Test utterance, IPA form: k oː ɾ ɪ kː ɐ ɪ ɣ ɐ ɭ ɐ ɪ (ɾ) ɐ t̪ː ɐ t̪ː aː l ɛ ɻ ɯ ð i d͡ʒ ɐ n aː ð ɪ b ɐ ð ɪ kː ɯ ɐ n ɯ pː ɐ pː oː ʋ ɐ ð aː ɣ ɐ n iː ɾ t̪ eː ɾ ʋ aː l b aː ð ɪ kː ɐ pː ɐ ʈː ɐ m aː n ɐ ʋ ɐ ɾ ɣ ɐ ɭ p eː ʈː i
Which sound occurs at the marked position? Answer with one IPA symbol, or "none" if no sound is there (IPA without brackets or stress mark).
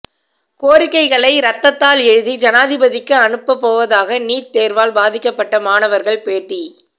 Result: ɾ